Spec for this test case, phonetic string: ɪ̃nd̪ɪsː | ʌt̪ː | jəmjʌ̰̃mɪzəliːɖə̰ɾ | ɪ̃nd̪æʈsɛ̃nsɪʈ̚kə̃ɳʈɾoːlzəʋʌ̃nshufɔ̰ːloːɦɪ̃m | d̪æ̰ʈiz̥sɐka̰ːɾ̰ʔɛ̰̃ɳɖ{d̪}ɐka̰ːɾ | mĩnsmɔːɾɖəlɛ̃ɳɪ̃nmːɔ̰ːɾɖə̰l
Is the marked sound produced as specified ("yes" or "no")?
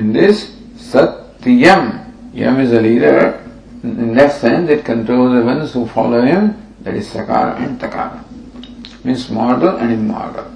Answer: no